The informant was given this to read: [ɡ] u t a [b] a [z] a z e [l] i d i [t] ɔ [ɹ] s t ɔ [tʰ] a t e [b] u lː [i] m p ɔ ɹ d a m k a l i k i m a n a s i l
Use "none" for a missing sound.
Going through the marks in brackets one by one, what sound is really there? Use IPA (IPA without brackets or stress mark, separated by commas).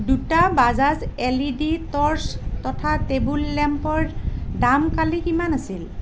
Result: d, b, z, l, t, ɹ, tʰ, b, ɛ